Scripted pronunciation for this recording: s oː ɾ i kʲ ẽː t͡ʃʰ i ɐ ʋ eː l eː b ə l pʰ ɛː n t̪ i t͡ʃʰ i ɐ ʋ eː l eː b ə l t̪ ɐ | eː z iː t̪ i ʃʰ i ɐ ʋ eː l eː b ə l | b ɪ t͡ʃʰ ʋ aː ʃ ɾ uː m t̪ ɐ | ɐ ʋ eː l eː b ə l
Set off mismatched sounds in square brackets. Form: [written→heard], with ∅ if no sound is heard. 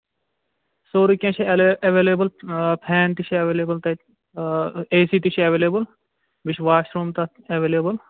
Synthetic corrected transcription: s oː ɾ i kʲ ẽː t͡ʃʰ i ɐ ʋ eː l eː b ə l pʰ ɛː n t̪ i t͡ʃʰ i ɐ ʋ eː l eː b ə l t̪ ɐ | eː [z→s] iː t̪ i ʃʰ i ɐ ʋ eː l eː b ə l | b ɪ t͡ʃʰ ʋ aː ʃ ɾ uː m t̪ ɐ | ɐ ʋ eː l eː b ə l